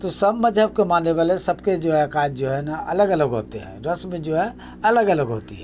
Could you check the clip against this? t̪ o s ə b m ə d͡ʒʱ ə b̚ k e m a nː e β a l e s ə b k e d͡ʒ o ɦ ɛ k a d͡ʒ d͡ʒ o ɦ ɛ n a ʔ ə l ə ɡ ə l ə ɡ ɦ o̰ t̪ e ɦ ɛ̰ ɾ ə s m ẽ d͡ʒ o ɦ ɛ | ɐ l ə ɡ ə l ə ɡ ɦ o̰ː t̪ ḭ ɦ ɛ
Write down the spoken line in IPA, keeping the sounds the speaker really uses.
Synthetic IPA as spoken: t̪ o s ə b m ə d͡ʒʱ ə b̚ k e m a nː e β a l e s ə b k e d͡ʒ o ɦ ɛ k a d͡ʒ d͡ʒ o ɦ ɛ n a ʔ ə l ə ɡ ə l ə ɡ ɦ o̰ t̪ e ɦ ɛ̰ ɾ ə s m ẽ d͡ʒ o ɦ ɛ | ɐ l ə ɡ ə l ə ɡ ɦ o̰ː t̪ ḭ ɦ ɛ